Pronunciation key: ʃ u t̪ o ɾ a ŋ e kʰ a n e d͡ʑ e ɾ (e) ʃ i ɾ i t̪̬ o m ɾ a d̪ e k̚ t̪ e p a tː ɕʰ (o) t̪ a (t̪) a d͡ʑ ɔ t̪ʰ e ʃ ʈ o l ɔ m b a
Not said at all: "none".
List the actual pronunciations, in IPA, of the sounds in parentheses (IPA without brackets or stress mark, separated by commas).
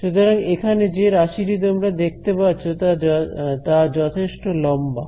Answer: a, o, t̪